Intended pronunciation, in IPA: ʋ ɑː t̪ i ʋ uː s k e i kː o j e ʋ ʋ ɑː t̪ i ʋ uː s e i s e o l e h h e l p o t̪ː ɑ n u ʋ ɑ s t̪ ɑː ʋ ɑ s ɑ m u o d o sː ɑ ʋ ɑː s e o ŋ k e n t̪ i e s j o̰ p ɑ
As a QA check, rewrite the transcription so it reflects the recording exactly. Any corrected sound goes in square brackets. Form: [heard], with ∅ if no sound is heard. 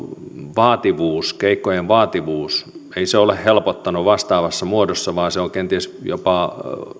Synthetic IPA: ʋ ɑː t̪ i ʋ uː s k e i kː o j e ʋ ʋ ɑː t̪ i ʋ uː s e i s e o l e h h e l p o t̪ː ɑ n u ʋ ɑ s t̪ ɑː ʋ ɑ [sː] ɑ m u o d o sː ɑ ʋ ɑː s e o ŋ k e n t̪ i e s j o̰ p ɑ